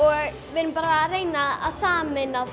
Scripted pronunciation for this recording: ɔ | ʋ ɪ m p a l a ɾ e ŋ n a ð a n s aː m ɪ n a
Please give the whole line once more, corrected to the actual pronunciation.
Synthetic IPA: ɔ | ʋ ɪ n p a ɾ a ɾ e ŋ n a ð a s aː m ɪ n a